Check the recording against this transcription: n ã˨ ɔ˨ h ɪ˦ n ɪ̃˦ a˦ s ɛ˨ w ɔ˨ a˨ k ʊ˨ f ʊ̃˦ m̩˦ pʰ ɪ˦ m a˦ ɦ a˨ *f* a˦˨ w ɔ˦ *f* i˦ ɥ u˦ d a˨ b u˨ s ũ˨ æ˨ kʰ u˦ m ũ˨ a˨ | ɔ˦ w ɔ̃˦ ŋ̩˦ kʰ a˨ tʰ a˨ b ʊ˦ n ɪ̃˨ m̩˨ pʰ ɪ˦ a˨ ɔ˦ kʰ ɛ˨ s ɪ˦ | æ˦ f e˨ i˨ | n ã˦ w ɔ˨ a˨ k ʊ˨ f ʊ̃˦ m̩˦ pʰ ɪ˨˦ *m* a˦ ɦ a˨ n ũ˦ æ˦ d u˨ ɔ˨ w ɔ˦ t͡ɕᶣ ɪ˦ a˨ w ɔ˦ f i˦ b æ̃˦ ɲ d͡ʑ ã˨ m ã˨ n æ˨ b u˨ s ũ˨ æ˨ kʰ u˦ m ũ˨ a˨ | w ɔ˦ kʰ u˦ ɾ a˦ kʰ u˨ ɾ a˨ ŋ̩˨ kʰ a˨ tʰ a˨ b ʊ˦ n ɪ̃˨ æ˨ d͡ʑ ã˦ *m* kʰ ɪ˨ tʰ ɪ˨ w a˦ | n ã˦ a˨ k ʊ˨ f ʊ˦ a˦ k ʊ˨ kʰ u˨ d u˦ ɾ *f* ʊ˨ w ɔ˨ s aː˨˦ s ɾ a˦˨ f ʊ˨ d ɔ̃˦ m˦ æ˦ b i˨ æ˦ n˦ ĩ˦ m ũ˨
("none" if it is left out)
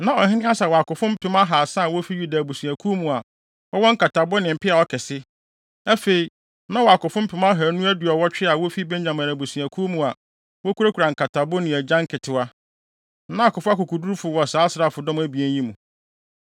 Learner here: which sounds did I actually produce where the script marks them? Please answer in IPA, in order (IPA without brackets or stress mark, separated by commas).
s, f, m, ŋ, f